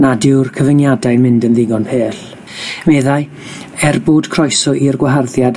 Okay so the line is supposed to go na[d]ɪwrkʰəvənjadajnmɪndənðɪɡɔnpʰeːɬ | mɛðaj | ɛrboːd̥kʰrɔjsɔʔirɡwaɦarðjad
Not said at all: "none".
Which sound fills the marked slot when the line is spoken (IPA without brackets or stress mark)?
d